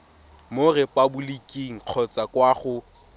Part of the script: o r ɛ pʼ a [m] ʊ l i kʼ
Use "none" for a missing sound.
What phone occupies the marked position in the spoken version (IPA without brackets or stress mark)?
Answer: b